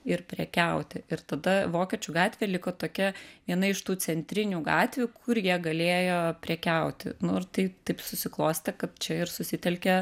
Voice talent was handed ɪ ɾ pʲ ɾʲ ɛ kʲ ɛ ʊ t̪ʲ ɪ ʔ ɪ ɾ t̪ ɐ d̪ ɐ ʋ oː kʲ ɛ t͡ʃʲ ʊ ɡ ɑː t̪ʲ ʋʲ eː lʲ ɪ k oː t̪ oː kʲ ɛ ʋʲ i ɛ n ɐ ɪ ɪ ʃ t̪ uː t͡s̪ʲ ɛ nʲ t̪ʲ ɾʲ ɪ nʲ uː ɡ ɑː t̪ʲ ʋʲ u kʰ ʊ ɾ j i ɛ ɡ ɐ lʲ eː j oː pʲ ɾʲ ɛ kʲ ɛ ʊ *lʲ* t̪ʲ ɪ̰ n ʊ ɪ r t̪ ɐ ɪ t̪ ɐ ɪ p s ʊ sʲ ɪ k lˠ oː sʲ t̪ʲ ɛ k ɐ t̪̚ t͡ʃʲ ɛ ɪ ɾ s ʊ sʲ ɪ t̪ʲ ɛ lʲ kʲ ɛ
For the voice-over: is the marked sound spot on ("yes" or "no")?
no